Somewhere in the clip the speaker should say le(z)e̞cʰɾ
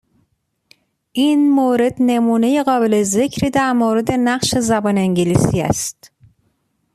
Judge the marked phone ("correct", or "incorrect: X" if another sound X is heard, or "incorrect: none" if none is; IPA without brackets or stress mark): correct